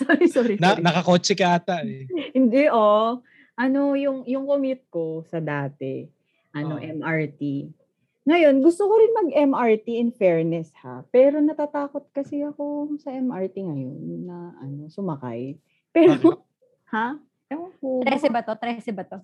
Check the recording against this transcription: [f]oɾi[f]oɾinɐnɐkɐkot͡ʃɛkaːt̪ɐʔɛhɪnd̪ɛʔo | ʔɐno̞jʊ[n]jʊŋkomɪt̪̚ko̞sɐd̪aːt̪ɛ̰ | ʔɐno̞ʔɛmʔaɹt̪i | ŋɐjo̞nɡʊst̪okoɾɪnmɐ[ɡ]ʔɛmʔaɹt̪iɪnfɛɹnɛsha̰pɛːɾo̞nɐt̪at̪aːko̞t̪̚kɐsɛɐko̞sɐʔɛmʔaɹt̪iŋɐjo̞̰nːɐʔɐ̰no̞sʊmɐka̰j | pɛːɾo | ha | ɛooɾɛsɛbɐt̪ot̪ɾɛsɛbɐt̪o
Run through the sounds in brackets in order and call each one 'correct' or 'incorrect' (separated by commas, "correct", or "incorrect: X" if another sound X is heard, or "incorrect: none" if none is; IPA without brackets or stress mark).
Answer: incorrect: s, incorrect: s, incorrect: ŋ, correct